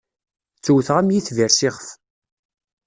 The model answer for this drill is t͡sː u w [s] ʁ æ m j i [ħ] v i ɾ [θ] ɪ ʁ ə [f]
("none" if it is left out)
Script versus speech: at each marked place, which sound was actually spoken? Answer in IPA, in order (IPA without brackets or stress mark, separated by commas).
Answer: θ, θ, s, f